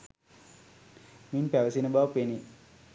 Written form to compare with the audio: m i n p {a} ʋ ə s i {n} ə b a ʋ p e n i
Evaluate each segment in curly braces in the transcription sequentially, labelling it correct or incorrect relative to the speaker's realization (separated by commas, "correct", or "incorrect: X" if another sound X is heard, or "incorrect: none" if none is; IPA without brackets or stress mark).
incorrect: æ, correct